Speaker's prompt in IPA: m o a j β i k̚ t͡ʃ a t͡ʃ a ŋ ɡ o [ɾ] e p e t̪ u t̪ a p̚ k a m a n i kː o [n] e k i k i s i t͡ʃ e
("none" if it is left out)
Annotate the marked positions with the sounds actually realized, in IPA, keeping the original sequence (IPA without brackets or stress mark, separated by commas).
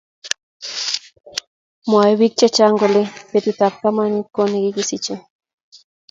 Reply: l, n